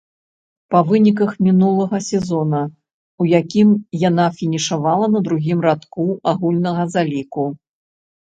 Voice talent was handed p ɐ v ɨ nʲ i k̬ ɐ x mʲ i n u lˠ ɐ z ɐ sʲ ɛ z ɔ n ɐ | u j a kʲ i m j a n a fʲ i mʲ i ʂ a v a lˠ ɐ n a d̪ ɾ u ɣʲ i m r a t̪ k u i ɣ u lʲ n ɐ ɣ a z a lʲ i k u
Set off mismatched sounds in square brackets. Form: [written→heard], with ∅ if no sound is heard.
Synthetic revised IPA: p ɐ v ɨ nʲ i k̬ ɐ x mʲ i n u lˠ ɐ [z→ɣ] ɐ sʲ ɛ z ɔ n ɐ | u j a kʲ i m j a n a fʲ i [mʲ→nʲ] i ʂ a v a lˠ ɐ n [a→ɐ] d̪ ɾ u ɣʲ i m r a t̪ k u [i→a] ɣ u lʲ n ɐ ɣ [a→ɐ] z a lʲ i k u